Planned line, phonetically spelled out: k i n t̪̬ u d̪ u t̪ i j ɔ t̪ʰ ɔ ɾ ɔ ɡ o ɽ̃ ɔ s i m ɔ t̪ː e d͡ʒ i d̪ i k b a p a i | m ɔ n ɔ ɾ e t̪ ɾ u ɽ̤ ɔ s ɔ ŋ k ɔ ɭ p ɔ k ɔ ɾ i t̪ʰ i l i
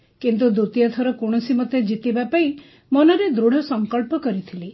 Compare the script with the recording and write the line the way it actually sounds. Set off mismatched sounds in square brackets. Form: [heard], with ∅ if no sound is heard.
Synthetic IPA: k i n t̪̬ u d̪ u t̪ i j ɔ t̪ʰ ɔ ɾ ɔ [k] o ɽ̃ ɔ s i m ɔ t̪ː e d͡ʒ i [t̪] i [∅] b a p a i | m ɔ n ɔ ɾ e [d̪] ɾ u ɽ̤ ɔ s ɔ ŋ k ɔ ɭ p ɔ k ɔ ɾ i t̪ʰ i l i